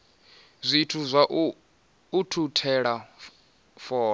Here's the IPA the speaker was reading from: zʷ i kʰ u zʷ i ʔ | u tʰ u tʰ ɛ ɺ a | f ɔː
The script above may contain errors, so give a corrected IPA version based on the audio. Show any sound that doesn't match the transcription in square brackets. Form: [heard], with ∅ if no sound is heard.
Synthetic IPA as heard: zʷ i [tʰ] u zʷ [a] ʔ | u tʰ u tʰ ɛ ɺ a | f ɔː